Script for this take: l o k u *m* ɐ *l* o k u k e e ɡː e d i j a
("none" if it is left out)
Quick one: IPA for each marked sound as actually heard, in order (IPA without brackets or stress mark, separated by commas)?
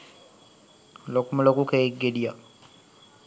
m, l